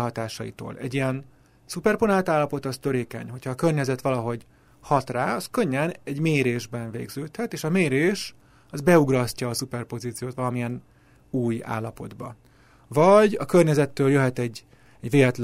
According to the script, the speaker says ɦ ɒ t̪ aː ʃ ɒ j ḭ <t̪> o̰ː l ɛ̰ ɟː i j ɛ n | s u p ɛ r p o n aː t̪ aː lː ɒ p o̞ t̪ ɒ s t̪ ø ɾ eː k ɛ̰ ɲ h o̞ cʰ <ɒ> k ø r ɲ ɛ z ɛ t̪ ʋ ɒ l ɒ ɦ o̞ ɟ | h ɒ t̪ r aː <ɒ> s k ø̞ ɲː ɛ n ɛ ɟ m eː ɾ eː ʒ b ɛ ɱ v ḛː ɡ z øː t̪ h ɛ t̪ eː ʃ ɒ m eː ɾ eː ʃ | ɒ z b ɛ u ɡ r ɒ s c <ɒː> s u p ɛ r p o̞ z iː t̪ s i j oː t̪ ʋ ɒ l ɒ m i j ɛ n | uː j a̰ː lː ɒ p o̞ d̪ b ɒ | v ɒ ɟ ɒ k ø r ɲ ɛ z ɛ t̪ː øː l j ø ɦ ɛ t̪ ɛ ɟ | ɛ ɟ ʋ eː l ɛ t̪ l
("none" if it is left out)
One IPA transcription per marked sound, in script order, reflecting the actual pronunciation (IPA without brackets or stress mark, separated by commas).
t̪, ɒː, ɒ, ɒː